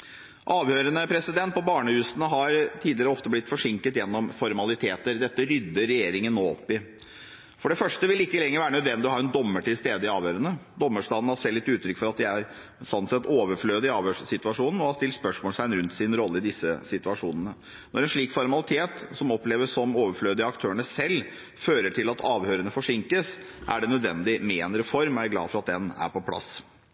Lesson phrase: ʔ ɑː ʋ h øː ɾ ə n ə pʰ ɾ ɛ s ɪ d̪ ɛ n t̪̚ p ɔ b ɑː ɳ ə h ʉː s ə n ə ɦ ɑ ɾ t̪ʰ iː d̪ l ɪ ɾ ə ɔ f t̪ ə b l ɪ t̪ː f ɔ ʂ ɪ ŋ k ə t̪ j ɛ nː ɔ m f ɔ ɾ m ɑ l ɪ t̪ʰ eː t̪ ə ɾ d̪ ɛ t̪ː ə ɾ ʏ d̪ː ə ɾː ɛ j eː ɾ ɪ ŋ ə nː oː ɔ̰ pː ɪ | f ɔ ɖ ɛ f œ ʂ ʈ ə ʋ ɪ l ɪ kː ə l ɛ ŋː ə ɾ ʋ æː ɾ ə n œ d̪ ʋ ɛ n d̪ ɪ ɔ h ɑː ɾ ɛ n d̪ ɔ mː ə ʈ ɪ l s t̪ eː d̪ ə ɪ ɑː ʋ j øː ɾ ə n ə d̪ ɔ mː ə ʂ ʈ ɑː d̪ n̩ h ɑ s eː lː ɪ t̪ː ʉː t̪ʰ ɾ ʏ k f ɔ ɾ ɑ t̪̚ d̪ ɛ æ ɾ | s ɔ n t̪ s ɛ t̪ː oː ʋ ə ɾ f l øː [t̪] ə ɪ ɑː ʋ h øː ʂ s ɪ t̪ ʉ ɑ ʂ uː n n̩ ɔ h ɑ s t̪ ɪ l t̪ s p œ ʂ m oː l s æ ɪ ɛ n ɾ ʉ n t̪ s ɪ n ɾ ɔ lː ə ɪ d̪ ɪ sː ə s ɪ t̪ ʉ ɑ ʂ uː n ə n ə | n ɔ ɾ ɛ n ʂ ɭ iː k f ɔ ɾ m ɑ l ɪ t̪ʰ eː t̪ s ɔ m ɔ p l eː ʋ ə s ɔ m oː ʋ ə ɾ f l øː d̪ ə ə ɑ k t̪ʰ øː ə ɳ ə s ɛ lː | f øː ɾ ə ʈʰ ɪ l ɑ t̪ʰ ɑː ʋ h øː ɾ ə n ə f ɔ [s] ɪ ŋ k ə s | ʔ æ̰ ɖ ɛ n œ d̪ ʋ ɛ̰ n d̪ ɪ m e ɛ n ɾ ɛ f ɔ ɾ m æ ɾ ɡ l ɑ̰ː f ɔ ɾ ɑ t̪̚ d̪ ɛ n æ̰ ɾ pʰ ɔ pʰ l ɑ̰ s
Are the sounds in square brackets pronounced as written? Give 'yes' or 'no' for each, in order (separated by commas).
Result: no, no